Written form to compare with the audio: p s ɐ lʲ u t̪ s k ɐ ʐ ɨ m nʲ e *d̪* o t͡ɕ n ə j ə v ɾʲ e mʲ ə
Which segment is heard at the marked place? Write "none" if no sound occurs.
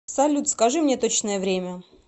t̪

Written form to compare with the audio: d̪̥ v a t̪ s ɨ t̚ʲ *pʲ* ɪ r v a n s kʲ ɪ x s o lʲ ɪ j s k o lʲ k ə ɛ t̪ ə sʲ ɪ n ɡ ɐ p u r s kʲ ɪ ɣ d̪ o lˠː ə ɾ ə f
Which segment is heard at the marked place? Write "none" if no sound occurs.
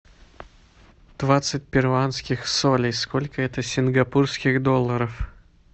pʲ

